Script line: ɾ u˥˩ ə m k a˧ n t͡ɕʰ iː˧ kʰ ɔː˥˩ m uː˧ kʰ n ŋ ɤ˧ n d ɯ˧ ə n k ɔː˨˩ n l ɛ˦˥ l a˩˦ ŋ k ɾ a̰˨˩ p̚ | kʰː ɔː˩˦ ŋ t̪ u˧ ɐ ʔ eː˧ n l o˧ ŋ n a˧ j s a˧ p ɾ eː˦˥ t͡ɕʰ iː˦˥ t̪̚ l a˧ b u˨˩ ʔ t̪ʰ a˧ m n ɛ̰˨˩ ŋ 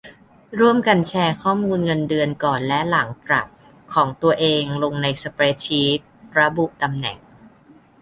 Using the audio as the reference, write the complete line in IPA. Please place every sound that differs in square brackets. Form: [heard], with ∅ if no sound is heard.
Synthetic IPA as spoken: ɾ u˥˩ ə m k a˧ n t͡ɕʰ [ɛː˧] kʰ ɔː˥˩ m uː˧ [∅] n ŋ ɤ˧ n d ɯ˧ ə n k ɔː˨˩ n l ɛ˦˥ l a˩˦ ŋ [p] ɾ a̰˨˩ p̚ | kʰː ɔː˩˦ ŋ t̪ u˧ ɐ ʔ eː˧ [ŋ] l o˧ ŋ n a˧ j s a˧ p ɾ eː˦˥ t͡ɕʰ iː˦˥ t̪̚ [ɾ] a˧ b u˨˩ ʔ [t̪] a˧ m n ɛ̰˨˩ ŋ

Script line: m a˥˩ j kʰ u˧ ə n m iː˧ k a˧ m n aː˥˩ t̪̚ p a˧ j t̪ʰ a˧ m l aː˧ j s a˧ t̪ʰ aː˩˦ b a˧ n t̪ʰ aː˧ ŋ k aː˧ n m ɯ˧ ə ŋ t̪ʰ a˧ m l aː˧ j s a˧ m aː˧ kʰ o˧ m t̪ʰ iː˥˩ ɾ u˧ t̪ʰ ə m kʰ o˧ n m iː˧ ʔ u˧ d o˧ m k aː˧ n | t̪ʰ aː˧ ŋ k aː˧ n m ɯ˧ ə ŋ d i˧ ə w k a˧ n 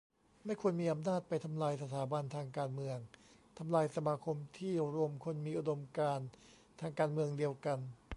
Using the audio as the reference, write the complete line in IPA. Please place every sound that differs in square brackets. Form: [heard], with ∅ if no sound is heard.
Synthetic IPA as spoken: m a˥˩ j kʰ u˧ ə n m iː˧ [ʔ] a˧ m n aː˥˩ t̪̚ p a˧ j t̪ʰ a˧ m l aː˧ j s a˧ t̪ʰ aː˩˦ b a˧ n t̪ʰ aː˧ ŋ k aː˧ n m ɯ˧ ə ŋ t̪ʰ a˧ m l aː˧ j s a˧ m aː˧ kʰ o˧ m t̪ʰ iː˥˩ ɾ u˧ [∅] ə m kʰ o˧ n m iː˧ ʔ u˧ d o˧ m k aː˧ n | t̪ʰ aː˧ ŋ k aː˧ n m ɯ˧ ə ŋ d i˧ ə w k a˧ n

